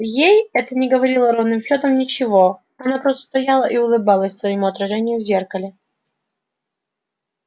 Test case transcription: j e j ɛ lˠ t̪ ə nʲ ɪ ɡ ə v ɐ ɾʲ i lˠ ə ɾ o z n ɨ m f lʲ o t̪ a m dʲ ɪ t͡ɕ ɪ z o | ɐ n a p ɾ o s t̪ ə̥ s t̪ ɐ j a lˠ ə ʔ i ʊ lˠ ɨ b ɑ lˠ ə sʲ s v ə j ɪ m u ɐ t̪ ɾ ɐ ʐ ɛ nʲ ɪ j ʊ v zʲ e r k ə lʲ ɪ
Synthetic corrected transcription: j e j ɛ t̪ ə nʲ ɪ ɡ ə v ɐ ɾʲ i lˠ ə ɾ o v n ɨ m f lʲ o t̪ ə m nʲ ɪ t͡ɕ ɪ v o | ɐ n a p ɾ o s t̪ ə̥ s t̪ ɐ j a lˠ ə ʔ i ʊ lˠ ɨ b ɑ lˠ ə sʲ s v ə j ɪ m u ɐ t̪ ɾ ɐ ʐ ɛ nʲ ɪ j ʊ v zʲ e r k ə lʲ ɪ